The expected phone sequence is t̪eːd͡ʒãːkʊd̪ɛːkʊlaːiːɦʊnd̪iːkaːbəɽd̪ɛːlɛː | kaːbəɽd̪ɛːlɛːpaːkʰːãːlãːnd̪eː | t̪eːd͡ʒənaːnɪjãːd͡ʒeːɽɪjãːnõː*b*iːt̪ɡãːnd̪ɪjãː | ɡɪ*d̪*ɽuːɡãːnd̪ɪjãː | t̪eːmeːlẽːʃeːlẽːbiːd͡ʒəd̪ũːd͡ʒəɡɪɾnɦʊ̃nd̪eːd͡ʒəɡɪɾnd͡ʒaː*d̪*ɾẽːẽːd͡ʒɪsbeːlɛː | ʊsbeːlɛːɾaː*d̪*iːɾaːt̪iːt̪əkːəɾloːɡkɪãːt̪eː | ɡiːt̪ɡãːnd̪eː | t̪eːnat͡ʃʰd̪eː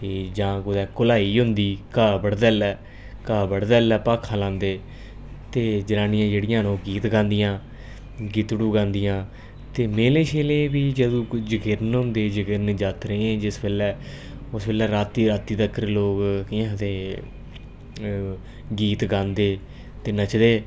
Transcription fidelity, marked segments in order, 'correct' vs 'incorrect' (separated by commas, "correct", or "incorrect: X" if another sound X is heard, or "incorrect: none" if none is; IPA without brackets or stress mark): incorrect: ɡ, incorrect: t̪, incorrect: t̪, incorrect: t̪